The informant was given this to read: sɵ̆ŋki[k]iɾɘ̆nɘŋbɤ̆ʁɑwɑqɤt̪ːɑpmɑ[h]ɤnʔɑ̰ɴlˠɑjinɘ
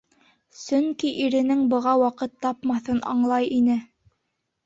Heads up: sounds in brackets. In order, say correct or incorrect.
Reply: incorrect: ʔ, incorrect: θ

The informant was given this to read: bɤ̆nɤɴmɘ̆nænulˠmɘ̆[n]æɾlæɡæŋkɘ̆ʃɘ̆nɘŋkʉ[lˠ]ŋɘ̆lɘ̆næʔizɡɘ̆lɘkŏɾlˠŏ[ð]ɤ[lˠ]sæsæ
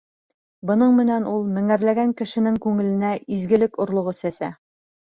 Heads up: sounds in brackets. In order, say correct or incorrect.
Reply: incorrect: ŋ, incorrect: none, incorrect: ʁ, incorrect: none

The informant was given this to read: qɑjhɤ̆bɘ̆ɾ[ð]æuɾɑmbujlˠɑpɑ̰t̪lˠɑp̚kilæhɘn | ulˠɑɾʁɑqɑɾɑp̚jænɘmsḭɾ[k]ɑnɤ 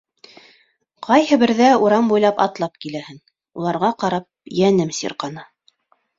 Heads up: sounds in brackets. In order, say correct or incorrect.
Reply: correct, incorrect: q

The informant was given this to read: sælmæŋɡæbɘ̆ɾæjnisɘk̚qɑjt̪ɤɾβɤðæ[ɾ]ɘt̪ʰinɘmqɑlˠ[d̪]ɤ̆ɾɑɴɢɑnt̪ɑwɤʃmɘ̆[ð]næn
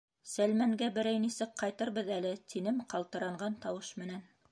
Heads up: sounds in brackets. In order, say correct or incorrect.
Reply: incorrect: l, incorrect: t̪, incorrect: none

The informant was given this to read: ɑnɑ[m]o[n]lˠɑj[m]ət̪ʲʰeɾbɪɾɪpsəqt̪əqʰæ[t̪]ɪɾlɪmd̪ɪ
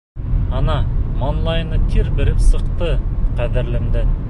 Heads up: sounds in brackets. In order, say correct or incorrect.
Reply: correct, correct, incorrect: n, incorrect: d̪

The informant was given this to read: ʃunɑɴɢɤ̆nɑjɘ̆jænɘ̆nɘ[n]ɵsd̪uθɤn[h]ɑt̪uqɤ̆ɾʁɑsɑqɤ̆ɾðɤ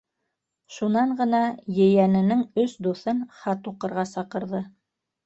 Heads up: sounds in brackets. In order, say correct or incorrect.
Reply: incorrect: ŋ, incorrect: χ

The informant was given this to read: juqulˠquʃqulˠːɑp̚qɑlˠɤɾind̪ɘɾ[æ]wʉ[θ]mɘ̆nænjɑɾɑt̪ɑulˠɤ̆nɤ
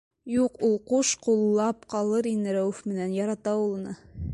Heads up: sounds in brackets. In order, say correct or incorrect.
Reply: correct, incorrect: f

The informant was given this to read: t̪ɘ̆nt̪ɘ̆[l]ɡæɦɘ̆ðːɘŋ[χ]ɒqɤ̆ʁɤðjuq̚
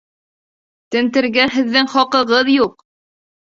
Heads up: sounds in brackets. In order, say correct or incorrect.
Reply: incorrect: ɾ, correct

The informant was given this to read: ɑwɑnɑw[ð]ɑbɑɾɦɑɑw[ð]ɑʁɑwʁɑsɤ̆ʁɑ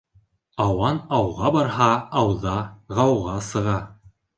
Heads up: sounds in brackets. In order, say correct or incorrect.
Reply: incorrect: ʁ, correct

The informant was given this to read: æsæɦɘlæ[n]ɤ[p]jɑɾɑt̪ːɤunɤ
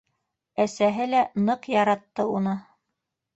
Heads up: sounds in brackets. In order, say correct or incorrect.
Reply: correct, incorrect: q

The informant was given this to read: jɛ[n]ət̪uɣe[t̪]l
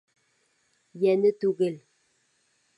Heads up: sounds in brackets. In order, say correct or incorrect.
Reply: correct, incorrect: none

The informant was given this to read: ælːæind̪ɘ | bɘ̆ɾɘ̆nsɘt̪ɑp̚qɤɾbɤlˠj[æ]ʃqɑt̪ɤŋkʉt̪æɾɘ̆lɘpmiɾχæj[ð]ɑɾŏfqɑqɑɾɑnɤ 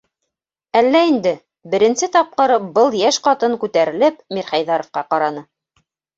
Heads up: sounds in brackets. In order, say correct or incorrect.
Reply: correct, correct

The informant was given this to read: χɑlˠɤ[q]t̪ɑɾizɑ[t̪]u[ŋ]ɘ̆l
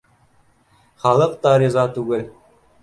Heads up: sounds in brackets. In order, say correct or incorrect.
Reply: correct, correct, incorrect: ɡ

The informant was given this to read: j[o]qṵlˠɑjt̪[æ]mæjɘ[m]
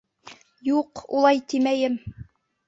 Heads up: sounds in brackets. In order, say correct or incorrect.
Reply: incorrect: u, incorrect: i, correct

